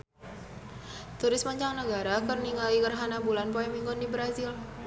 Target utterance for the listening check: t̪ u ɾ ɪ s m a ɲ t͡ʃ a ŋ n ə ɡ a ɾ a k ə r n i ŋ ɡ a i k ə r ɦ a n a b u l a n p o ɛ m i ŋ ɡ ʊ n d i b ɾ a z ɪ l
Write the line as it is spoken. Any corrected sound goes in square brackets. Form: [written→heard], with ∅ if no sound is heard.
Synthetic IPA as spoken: t̪ u ɾ ɪ s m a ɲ t͡ʃ a ŋ n ə ɡ a ɾ a k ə r n i ŋ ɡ a i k ə r ɦ a n a b u l a n p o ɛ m i ŋ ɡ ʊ n d i b ɾ a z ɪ l